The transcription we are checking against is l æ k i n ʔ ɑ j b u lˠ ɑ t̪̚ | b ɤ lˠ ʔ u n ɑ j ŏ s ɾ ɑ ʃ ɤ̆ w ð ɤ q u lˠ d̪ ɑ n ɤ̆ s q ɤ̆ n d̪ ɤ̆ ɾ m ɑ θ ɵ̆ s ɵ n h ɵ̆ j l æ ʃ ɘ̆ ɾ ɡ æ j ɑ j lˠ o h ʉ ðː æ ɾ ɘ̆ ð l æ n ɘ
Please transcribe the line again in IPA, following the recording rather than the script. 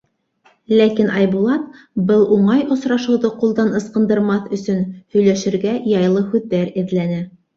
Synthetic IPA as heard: l æ k i n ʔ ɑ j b u lˠ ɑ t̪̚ | b ɤ lˠ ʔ u ɴ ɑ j ŏ s ɾ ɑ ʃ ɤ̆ w ð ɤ q u lˠ d̪ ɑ n ɤ̆ s q ɤ̆ n d̪ ɤ̆ ɾ m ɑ θ ɵ̆ s ɵ n h ɵ̆ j l æ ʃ ɘ̆ ɾ ɡ æ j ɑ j lˠ ɤ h ʉ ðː æ ɾ ɘ̆ ð l æ n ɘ

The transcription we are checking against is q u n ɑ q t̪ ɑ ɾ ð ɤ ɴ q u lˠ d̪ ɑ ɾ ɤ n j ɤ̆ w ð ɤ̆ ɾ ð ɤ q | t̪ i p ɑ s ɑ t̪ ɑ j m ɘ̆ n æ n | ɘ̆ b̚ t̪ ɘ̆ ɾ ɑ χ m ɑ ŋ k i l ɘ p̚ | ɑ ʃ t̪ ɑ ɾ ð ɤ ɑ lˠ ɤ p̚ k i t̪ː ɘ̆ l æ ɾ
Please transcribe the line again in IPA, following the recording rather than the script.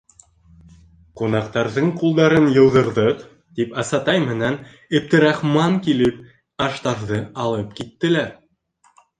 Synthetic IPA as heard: q u n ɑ q t̪ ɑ ɾ ð ɤ ɴ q u lˠ d̪ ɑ ɾ ɤ n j ɤ̆ w ð ɤ̆ ɾ ð ɤ q | t̪ i p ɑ s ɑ t̪ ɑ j m ɘ̆ n æ n | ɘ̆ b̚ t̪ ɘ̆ ɾ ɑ χ m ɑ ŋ k i l ɘ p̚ | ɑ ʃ t̪ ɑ ɾ ð ɤ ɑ lˠ ɤ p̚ k i t̪ː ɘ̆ l æ ɾ

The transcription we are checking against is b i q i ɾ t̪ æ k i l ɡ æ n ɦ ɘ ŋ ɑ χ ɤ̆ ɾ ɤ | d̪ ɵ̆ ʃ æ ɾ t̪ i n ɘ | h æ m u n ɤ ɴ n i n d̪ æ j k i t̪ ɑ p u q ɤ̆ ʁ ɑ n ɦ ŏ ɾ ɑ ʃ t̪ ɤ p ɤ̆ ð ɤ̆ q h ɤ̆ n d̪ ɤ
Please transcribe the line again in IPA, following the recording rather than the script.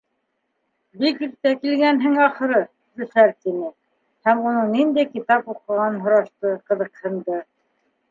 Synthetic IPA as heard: b i k i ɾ t̪ æ k i l ɡ æ n ɦ ɘ ŋ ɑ χ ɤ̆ ɾ ɤ | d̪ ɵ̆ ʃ æ ɾ t̪ i n ɘ | h æ m u n ɤ ɴ n i n d̪ æ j k i t̪ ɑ p u q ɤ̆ ʁ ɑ n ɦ ŏ ɾ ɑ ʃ t̪ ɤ q ɤ̆ ð ɤ̆ q h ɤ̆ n d̪ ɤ

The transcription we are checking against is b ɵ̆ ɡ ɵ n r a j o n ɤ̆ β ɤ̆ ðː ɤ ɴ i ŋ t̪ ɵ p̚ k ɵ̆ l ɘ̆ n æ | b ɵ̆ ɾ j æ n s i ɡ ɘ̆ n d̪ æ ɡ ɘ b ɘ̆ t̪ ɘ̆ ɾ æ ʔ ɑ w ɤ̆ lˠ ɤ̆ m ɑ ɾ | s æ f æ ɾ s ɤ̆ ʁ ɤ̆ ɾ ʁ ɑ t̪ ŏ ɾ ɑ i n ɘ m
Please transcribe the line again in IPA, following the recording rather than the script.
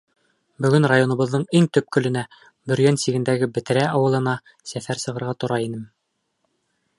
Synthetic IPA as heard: b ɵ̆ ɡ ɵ n r a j o n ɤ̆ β ɤ̆ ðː ɤ ɴ i ŋ t̪ ɵ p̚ k ɵ̆ l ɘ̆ n æ | b ɵ̆ ɾ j æ n s i ɡ ɘ̆ n d̪ æ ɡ ɘ b ɘ̆ t̪ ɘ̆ ɾ æ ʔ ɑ w ɤ̆ lˠ ɤ̆ n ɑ | s æ f æ ɾ s ɤ̆ ʁ ɤ̆ ɾ ʁ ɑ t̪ ŏ ɾ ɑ i n ɘ m

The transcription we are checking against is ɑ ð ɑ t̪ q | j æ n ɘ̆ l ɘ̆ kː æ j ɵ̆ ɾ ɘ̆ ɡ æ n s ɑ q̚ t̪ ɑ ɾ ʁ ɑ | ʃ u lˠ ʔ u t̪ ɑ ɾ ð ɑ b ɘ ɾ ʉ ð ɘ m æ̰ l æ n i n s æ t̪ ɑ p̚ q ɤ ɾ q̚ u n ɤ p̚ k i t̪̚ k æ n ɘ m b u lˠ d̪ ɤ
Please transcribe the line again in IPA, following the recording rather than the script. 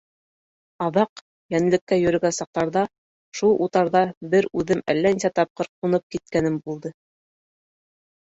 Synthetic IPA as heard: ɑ ð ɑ q | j æ n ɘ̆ l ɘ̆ kː æ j ɵ̆ ɾ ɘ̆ ɡ æ n s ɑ q̚ t̪ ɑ ɾ ð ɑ | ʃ u lˠ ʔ u t̪ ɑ ɾ ð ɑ b ɘ ɾ ʉ ð ɘ m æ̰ lː æ n i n s æ t̪ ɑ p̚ q ɤ ɾ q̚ u n ɤ p̚ k i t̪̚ k æ n ɘ m b u lˠ d̪ ɤ

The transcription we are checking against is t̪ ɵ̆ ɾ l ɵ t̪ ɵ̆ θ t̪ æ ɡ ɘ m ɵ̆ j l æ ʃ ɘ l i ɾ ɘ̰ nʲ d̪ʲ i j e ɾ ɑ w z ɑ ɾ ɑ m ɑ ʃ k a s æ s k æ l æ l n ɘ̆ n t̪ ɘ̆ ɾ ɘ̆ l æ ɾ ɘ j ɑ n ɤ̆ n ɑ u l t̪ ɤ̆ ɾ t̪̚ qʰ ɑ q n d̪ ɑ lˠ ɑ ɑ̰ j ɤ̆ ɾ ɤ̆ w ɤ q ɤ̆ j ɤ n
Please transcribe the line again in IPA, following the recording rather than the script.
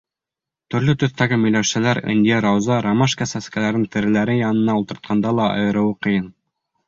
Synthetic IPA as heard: t̪ ɵ̆ ɾ l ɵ t̪ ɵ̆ θ t̪ æ ɡ ɘ m ɵ̆ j l æ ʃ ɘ l æ ɾ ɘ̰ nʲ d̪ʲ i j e ɾ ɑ w z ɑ ɾ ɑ m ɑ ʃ k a s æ s k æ l æ ɾ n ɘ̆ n t̪ ɘ̆ ɾ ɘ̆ l æ ɾ ɘ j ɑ n ɤ̆ n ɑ u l t̪ ɤ̆ ɾ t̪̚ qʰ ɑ n d̪ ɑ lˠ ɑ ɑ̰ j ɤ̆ ɾ ɤ̆ w ɤ q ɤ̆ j ɤ n

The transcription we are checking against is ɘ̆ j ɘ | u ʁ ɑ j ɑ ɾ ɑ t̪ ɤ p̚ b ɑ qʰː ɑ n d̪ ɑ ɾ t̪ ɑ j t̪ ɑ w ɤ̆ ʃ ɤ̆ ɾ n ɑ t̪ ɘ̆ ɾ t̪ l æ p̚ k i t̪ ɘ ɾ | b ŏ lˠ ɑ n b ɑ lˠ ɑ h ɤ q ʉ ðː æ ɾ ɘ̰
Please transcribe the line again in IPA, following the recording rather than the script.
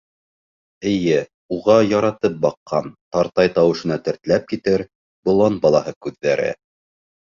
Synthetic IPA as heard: ɘ̆ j ɘ | u ʁ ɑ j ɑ ɾ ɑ t̪ ɤ p̚ b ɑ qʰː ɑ n t̪ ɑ ɾ t̪ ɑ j t̪ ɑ w ɤ̆ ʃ ɤ̆ n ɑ t̪ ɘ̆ ɾ t̪ l æ p̚ k i t̪ ɘ ɾ | b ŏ lˠ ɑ n b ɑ lˠ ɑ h ɤ k ʉ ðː æ ɾ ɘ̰

